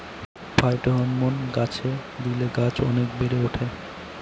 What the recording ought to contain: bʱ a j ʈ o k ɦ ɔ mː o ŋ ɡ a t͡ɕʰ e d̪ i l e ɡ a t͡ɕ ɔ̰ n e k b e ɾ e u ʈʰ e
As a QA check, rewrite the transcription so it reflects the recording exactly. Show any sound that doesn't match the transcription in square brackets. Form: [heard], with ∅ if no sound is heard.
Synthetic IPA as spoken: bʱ a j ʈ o [∅] ɦ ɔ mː o [n] ɡ a t͡ɕʰ e d̪ i l e ɡ a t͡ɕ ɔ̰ n e k b e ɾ e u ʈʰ e